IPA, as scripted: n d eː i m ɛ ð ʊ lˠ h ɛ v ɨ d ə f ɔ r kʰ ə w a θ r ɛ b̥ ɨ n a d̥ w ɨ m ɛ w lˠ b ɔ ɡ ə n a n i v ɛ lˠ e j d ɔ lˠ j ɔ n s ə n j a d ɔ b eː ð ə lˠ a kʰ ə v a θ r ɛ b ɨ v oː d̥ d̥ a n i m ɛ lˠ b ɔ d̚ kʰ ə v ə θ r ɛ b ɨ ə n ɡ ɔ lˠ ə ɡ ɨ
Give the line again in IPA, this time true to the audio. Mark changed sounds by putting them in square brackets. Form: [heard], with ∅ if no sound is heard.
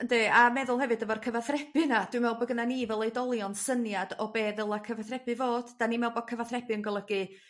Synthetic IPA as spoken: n d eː [a] m ɛ ð ʊ lˠ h ɛ v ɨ d ə [v] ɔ r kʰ ə [v] a θ r ɛ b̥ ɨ n a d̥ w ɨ m ɛ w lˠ b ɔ ɡ ə n a n i v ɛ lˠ e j d ɔ lˠ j ɔ n s ə n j a d ɔ b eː ð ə lˠ a kʰ ə v a θ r ɛ b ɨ v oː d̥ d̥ a n i m ɛ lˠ b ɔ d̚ kʰ ə v [a] θ r ɛ b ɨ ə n ɡ ɔ lˠ ə ɡ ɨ

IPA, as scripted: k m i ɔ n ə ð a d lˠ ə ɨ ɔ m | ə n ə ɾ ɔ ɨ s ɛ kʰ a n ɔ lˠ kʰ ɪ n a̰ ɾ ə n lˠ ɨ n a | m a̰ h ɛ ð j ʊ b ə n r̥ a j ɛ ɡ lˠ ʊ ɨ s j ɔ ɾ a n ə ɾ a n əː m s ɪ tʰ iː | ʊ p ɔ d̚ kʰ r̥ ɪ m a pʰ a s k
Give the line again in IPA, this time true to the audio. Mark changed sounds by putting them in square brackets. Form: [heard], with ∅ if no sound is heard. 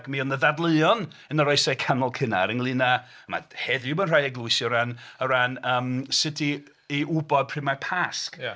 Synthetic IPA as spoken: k m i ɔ n ə ð a d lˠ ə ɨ ɔ [n] | ə n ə ɾ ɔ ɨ s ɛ kʰ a n ɔ lˠ kʰ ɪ n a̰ ɾ ə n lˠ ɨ n a | m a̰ h ɛ ð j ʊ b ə n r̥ a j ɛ ɡ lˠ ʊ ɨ s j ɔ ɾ a n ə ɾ a n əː m s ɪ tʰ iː | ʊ [b] ɔ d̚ [pʰ] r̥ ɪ m a pʰ a s k

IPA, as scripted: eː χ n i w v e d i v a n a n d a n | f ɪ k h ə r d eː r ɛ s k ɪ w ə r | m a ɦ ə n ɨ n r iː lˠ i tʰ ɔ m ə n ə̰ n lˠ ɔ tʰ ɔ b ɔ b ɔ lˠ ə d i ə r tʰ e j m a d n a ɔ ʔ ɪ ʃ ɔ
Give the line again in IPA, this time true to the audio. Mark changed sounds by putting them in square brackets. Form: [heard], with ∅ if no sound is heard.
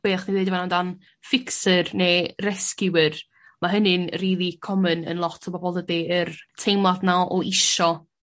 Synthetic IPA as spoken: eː χ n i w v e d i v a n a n d a n | f ɪ k [s] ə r [n] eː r ɛ s k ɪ w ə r | m a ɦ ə n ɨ n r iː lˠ i [kʰ] ɔ m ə n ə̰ n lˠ ɔ tʰ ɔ b ɔ b ɔ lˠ ə d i ə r tʰ e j m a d n a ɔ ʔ ɪ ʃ ɔ

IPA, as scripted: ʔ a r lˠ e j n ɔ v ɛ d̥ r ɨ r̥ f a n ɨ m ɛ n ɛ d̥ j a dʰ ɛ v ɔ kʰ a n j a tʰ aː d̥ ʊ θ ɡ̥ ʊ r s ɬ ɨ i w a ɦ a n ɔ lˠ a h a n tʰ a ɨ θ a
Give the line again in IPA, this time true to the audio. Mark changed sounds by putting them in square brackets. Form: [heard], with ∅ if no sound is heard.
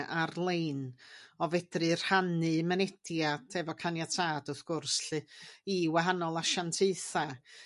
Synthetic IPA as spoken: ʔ a r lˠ e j n ɔ v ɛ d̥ r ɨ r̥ [h] a n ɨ m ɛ n ɛ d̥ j a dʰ ɛ v ɔ kʰ a n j a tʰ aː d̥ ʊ θ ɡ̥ ʊ r s ɬ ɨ i w a ɦ a n ɔ lˠ a [ʃ] a n tʰ [e] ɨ θ a

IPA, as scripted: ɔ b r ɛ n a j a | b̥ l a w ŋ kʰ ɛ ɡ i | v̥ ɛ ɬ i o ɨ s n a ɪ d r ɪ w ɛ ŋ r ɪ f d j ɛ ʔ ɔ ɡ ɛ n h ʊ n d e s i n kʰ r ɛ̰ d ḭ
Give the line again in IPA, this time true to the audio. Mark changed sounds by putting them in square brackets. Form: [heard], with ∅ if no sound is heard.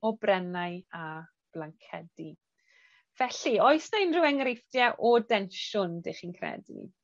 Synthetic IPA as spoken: ɔ b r ɛ n a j a | b̥ l a [∅] ŋ kʰ ɛ [d] i | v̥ ɛ ɬ i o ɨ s n a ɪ [n] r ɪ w ɛ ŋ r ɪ f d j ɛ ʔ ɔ [d] ɛ n [ʃ] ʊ n d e [χ] i n kʰ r ɛ̰ d ḭ

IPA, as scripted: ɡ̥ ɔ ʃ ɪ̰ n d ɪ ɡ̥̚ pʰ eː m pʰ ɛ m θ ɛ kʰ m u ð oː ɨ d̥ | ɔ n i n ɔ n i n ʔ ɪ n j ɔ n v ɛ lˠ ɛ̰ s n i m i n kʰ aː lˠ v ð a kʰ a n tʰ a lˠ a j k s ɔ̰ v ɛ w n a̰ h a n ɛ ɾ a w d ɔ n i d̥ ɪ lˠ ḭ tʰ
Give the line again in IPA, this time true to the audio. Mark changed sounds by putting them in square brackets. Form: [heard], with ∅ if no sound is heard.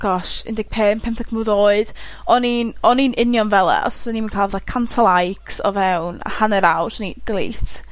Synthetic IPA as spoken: ɡ̥ ɔ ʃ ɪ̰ n d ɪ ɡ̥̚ pʰ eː m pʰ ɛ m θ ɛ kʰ m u ð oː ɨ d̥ | ɔ n i n ɔ n i n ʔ ɪ n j ɔ n v ɛ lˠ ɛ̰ s n i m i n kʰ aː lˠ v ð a kʰ a n tʰ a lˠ a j k s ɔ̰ v ɛ w n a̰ h a n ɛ ɾ a w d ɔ n i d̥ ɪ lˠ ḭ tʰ

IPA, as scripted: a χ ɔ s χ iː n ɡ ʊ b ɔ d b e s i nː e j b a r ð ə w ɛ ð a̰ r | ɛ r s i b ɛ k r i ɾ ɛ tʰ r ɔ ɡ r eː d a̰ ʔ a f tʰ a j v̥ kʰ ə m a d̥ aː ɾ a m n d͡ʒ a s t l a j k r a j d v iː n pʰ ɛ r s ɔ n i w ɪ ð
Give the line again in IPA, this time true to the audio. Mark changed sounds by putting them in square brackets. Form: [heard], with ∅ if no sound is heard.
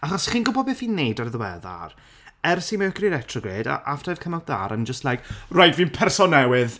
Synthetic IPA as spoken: a χ ɔ s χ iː n ɡ ʊ b ɔ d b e [θ] i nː e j [d] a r ð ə w ɛ ð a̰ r | ɛ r s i [m] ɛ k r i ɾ ɛ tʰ r ɔ ɡ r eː d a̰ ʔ a f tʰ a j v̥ kʰ ə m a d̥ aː ɾ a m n d͡ʒ [ə] s t l a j k r a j d v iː n pʰ ɛ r s ɔ n [ɛ] w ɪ ð

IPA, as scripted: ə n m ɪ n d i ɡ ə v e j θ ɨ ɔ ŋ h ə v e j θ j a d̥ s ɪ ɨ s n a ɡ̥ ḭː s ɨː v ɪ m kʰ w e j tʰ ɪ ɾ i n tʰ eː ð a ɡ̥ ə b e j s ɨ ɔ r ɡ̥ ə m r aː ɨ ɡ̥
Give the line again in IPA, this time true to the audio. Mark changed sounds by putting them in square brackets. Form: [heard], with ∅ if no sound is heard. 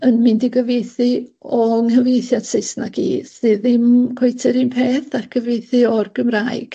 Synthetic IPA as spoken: ə n m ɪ n d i ɡ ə v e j θ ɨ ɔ ŋ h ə v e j θ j a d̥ s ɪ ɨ s n a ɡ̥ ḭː s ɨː [ð] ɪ m kʰ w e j tʰ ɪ ɾ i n [pʰ] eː [θ] a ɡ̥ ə [v] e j [θ] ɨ ɔ r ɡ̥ ə m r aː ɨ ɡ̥

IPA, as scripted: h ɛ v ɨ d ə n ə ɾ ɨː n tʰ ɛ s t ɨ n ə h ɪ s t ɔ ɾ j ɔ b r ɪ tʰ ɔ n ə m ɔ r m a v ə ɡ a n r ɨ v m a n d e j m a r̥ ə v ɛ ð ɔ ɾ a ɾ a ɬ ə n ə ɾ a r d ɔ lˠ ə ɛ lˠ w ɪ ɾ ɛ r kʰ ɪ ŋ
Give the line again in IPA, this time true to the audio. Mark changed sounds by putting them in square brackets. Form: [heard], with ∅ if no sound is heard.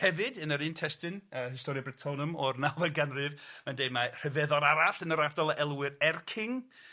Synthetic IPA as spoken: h ɛ v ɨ d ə n ə ɾ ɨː n tʰ ɛ s t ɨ n ə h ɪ s t ɔ ɾ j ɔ b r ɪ tʰ ɔ n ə m ɔ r [n] a v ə ɡ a n r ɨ v m a n d e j m a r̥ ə v ɛ ð ɔ ɾ a ɾ a ɬ ə n ə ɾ a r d ɔ lˠ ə ɛ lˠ w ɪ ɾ ɛ r kʰ ɪ ŋ

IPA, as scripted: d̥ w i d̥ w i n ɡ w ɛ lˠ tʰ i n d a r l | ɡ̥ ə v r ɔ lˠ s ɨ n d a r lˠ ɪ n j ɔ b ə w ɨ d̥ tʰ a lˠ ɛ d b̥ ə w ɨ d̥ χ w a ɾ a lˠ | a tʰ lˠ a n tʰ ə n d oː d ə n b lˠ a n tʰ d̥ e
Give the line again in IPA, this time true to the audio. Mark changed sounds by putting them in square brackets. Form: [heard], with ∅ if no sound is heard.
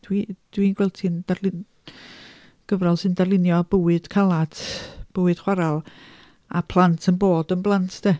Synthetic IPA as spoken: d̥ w i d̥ w i n ɡ w ɛ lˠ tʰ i n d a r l | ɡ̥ ə v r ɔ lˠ s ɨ n d a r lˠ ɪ n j ɔ b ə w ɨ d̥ [kʰ] a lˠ [a] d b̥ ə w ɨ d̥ χ w a ɾ a lˠ | a [pʰ] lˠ a n tʰ ə n [b] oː d ə n b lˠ a n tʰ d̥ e

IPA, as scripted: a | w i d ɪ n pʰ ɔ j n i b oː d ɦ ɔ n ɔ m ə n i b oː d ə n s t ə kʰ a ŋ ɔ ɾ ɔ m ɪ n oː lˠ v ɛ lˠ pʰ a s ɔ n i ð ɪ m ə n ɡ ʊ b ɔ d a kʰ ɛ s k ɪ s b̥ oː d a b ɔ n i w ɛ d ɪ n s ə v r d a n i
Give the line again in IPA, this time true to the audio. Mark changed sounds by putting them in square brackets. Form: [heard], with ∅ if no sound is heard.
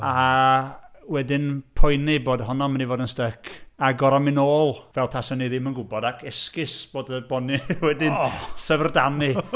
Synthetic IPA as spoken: a | w [ɛ] d ɪ n pʰ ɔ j n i b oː d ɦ ɔ n ɔ m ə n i [v] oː d ə n s t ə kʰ a [ɡ] ɔ ɾ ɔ m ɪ n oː lˠ v ɛ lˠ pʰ a s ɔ n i ð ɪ m ə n ɡ ʊ b ɔ d a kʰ ɛ s k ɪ s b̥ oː d [ə] b ɔ n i w ɛ d ɪ n s ə v r d a n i

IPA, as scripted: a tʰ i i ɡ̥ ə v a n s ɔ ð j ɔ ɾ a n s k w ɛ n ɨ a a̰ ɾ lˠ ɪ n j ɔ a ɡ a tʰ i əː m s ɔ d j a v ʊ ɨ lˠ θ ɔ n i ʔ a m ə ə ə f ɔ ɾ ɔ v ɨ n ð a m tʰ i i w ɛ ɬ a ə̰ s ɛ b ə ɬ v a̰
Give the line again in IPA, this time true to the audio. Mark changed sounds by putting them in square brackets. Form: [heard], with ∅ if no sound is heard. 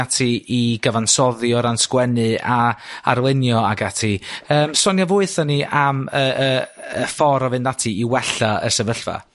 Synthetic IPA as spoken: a tʰ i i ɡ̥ ə v a n s ɔ ð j ɔ ɾ a n s k w ɛ n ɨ a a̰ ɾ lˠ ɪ n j ɔ a ɡ a tʰ i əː m s ɔ [n] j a v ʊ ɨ [∅] θ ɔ n i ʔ a m ə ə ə f ɔ ɾ ɔ v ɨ n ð a [∅] tʰ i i w ɛ ɬ a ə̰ s ɛ [v] ə ɬ v a̰

